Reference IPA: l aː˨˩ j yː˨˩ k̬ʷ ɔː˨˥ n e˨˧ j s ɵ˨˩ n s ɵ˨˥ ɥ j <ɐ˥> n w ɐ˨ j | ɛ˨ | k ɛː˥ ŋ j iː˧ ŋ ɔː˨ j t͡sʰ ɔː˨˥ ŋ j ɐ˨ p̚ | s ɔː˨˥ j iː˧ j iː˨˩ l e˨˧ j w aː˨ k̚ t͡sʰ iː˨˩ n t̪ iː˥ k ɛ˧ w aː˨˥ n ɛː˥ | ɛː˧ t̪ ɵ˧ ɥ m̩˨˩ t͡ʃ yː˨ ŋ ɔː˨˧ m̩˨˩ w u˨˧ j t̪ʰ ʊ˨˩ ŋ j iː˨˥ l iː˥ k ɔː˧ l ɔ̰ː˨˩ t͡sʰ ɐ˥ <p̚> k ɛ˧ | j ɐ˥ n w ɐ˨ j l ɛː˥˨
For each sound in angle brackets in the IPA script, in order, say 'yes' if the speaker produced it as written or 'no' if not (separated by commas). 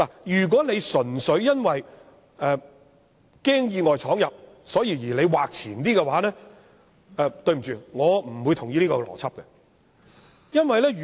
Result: yes, yes